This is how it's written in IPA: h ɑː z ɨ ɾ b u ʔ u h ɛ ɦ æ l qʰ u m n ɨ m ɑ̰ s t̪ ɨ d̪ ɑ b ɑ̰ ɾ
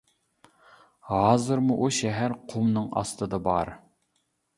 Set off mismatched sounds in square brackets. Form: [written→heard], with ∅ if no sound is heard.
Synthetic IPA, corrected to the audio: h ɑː z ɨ ɾ [b→m] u ʔ u [h→ʃ] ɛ ɦ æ [l→ɾ] qʰ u m n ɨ [m→ŋ] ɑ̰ s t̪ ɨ d̪ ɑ b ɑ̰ ɾ